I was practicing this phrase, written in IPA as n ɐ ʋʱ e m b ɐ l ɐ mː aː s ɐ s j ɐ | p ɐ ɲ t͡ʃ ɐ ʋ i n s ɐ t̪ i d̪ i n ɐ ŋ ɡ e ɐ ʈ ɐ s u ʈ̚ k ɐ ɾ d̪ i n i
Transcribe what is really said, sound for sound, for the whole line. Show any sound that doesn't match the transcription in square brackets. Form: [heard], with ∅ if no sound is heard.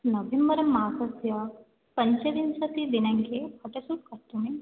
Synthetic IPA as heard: n ɐ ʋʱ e m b ɐ [ɾ] ɐ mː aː s ɐ s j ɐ | p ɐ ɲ t͡ʃ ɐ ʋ i n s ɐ t̪ i d̪ i n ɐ ŋ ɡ e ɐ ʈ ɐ s u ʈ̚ k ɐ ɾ [t̪] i n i